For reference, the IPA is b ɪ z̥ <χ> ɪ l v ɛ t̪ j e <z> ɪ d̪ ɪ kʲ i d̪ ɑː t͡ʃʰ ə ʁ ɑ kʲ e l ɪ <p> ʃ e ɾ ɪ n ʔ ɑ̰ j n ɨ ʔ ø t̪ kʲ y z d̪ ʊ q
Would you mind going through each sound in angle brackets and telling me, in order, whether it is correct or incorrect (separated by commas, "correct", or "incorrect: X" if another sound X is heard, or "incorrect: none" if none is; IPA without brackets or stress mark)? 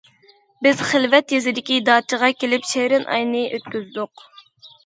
correct, correct, correct